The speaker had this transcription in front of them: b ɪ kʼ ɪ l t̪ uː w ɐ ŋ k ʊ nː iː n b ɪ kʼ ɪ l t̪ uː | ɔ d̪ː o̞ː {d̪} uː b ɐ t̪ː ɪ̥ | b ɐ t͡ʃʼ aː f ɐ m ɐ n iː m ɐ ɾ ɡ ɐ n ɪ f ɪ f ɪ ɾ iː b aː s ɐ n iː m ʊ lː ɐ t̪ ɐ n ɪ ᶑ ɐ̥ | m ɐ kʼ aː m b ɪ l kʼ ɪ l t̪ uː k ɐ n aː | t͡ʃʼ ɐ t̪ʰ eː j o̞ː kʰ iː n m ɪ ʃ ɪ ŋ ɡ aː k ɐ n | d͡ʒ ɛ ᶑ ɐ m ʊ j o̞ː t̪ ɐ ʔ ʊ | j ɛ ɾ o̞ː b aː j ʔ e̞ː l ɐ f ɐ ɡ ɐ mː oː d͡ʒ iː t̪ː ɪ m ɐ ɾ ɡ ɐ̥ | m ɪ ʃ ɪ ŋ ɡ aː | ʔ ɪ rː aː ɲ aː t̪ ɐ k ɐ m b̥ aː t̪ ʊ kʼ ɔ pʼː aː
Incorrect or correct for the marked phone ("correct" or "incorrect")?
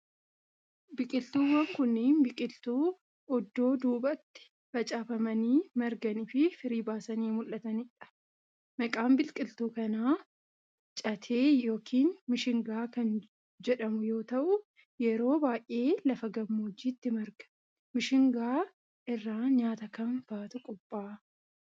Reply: correct